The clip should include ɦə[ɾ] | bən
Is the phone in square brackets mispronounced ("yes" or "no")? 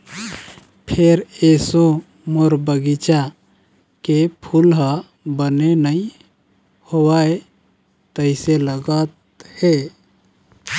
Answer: yes